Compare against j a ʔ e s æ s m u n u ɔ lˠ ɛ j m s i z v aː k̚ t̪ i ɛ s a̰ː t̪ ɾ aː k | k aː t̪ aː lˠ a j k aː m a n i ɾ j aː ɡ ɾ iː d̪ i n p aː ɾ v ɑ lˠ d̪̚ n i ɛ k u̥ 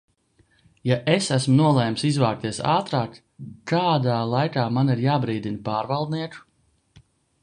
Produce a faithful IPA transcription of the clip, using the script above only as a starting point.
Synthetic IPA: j a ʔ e s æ s m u n u ɔ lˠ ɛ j m s i z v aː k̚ t̪ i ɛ s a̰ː t̪ ɾ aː k | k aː d̪ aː lˠ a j k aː m a n i ɾ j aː b ɾ iː d̪ i n p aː ɾ v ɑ lˠ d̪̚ n i ɛ k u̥